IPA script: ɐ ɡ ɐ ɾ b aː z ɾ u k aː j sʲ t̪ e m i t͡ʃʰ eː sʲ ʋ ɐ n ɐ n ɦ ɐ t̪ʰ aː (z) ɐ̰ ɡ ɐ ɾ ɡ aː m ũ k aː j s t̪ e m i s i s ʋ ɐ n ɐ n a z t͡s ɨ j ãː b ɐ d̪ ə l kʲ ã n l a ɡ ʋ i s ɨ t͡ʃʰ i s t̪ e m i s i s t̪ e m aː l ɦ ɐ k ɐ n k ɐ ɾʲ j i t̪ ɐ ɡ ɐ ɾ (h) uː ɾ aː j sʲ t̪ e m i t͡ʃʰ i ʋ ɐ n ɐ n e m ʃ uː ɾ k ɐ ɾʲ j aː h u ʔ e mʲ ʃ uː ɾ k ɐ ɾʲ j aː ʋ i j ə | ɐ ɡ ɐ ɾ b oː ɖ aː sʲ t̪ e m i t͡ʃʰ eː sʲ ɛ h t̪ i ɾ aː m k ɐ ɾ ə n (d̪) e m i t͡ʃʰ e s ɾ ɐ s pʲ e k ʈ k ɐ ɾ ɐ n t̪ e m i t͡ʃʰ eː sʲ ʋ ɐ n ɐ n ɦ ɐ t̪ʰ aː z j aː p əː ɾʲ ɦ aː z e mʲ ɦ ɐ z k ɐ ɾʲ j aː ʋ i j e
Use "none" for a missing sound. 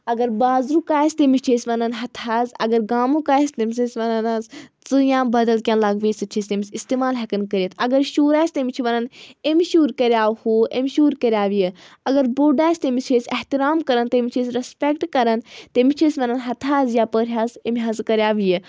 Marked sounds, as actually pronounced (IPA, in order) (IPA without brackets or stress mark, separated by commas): z, ʃ, t̪